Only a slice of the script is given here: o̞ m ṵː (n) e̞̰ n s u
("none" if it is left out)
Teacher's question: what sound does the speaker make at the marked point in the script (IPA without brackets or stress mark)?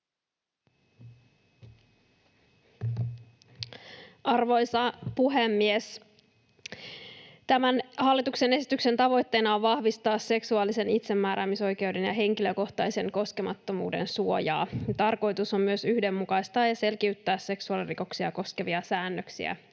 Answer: d